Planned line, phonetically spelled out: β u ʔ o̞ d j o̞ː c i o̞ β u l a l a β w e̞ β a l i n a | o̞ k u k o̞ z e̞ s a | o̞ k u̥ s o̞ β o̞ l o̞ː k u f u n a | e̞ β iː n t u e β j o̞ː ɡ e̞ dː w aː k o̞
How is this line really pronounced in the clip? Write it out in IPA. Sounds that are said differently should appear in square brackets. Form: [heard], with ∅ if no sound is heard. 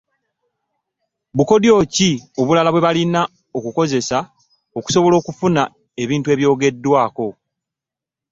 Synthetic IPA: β u [k] o̞ d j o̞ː c i o̞ β u l a l a β w e̞ β a l i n a | o̞ k u k o̞ z e̞ s a | o̞ k u̥ s o̞ β o̞ l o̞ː k u f u n a | e̞ β iː n t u e β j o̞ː ɡ e̞ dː w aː k o̞